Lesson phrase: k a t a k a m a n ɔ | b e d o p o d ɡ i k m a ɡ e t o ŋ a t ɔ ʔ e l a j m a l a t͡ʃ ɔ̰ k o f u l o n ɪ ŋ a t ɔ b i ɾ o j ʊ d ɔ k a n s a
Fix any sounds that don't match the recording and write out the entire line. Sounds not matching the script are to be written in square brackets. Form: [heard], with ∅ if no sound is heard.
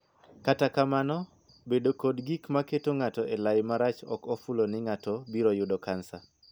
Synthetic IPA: k a t a k a m a n ɔ | b e d o [k] o d ɡ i k m a [k] e t o ŋ a t ɔ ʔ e l a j m a [ɾ] a t͡ʃ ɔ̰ k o f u l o n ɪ ŋ a t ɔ b i ɾ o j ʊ d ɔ k a n s a